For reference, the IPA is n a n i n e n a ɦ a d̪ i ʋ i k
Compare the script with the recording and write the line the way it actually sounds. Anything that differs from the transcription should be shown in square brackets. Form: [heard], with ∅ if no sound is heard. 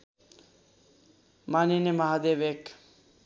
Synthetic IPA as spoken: [m] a n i n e [m] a ɦ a d̪ [e] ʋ [e] k